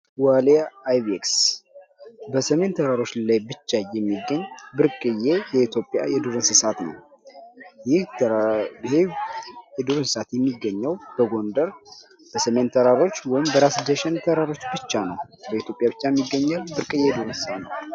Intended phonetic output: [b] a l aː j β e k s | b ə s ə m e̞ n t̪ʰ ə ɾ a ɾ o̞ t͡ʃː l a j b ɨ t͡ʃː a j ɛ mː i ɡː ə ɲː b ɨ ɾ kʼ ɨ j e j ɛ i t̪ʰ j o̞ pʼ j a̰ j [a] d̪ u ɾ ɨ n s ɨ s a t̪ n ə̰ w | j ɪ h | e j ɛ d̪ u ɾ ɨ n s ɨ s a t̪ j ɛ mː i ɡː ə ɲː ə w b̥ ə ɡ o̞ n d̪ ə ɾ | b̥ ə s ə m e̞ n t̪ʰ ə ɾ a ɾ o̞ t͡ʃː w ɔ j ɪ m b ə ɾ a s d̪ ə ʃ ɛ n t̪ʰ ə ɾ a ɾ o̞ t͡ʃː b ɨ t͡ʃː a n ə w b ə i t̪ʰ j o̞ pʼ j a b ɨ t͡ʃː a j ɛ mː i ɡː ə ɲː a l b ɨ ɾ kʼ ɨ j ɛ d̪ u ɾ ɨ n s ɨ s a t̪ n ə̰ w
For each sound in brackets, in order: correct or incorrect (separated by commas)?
incorrect, incorrect